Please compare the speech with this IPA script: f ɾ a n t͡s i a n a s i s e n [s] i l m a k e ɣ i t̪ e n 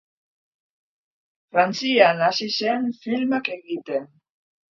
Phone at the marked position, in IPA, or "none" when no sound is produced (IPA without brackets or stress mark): f